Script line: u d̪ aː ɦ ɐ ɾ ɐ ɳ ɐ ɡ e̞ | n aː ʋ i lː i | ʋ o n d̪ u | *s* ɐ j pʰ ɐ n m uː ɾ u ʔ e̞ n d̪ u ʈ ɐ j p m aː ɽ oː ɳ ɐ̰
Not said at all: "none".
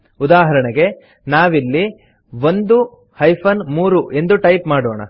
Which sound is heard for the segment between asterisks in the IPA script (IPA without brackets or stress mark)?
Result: h